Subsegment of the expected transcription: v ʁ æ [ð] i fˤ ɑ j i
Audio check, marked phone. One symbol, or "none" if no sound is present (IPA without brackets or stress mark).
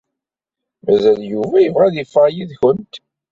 ð